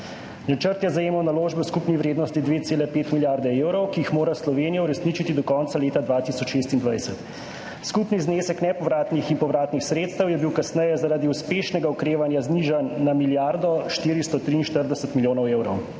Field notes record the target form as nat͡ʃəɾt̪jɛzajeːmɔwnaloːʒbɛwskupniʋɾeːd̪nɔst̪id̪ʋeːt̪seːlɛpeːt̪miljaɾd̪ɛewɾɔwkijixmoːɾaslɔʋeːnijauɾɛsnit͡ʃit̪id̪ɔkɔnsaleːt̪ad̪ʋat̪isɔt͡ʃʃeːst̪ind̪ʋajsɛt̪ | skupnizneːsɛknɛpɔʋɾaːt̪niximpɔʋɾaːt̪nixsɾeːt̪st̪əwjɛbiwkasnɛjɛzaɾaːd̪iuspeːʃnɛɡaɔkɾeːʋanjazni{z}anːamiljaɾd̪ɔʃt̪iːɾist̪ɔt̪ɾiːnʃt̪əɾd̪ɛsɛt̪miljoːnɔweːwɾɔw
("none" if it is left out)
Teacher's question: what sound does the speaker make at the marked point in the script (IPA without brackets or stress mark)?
ʒ